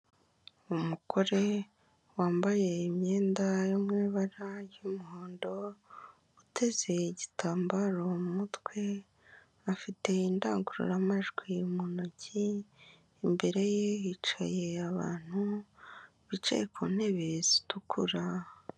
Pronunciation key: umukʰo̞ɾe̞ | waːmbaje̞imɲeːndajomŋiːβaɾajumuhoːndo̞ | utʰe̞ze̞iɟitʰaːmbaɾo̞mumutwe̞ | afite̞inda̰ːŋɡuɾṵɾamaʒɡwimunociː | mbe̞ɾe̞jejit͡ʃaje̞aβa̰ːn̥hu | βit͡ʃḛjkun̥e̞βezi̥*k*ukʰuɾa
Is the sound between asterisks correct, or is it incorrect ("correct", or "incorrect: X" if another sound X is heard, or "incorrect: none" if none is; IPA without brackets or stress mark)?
incorrect: t